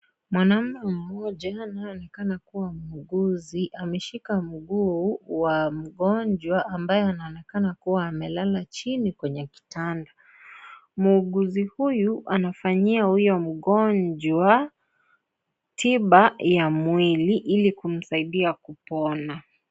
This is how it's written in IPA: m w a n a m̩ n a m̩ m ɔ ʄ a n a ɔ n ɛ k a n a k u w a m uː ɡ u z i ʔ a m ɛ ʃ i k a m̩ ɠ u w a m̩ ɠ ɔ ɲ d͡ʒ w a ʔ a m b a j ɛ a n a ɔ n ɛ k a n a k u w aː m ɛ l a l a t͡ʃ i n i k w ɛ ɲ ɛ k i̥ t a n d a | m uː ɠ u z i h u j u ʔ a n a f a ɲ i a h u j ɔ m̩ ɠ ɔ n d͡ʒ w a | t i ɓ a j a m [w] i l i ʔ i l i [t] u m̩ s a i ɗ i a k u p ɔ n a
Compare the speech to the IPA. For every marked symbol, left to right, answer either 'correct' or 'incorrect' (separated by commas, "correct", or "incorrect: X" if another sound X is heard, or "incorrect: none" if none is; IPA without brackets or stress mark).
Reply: correct, incorrect: k